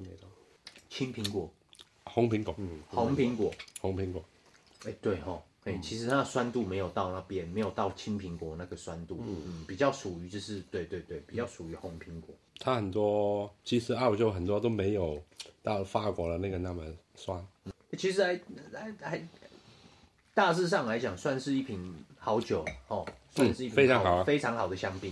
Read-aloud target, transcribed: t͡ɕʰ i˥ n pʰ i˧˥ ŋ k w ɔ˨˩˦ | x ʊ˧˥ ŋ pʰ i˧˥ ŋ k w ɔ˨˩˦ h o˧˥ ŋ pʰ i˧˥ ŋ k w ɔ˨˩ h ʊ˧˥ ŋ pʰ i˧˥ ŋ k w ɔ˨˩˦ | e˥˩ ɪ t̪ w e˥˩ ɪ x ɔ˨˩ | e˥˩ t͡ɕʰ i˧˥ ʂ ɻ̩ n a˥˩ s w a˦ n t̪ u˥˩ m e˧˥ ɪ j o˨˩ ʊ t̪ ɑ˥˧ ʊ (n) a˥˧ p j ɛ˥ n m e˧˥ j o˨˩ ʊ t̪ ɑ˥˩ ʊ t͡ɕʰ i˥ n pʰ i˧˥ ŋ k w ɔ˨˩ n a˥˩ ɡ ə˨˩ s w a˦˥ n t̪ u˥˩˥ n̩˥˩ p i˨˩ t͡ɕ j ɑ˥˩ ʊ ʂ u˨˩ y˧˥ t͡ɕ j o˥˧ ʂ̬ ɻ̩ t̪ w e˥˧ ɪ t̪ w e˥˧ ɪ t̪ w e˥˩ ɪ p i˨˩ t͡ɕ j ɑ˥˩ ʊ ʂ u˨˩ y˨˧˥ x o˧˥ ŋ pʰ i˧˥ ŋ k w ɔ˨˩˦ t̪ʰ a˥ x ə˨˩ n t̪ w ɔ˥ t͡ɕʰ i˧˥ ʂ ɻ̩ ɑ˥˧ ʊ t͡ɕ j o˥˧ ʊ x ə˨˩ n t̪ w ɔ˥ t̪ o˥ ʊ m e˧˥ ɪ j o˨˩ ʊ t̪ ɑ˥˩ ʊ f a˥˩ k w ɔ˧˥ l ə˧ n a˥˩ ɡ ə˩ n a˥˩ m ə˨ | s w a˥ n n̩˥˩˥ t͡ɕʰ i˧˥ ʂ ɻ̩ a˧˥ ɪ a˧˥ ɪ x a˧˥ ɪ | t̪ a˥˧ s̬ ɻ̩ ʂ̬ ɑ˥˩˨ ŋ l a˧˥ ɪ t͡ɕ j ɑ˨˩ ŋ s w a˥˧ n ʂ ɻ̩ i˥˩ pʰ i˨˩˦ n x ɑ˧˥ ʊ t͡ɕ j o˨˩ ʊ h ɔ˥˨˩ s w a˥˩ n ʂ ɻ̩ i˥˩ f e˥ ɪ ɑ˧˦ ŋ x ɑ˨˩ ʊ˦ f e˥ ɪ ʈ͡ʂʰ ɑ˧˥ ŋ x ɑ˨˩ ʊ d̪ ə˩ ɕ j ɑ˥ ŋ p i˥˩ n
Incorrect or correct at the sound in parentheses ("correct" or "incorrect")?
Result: correct